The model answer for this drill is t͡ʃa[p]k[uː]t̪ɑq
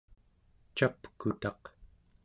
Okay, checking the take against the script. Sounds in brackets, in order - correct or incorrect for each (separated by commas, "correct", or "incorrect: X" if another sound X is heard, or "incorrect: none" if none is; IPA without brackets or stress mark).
correct, incorrect: u